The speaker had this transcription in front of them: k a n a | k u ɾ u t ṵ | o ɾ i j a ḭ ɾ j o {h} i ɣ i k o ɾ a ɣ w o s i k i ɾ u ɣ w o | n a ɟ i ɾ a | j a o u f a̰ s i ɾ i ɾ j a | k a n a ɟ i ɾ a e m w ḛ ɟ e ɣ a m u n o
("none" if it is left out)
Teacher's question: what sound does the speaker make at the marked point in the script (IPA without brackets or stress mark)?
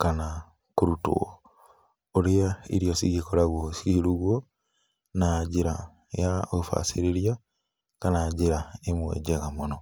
s